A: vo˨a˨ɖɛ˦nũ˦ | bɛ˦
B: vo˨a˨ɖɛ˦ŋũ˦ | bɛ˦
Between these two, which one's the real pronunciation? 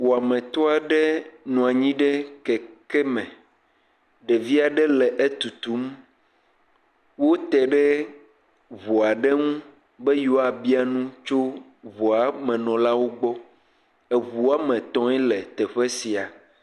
B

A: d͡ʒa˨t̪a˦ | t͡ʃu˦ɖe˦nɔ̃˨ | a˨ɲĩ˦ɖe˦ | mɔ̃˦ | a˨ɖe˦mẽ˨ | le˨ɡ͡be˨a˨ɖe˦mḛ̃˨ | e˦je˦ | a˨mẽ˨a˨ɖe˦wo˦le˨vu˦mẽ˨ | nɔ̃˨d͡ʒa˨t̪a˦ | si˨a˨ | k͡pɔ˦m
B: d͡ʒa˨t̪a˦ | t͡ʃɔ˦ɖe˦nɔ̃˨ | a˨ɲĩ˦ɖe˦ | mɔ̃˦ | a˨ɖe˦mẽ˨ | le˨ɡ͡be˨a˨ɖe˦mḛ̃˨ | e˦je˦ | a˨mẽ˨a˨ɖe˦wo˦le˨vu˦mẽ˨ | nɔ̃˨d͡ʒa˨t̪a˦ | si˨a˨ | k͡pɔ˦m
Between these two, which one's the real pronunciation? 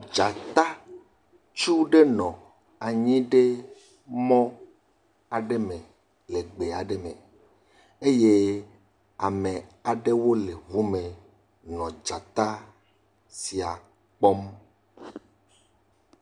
A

